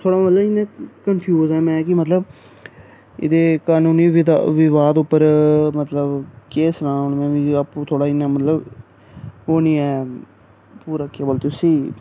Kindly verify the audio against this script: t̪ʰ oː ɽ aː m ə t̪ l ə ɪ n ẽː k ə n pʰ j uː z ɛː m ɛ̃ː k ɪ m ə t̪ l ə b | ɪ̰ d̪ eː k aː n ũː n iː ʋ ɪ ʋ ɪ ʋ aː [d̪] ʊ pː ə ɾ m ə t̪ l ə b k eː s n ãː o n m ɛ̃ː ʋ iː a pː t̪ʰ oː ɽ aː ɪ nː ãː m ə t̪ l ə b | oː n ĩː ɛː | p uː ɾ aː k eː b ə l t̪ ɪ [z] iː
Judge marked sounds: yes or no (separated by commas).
yes, no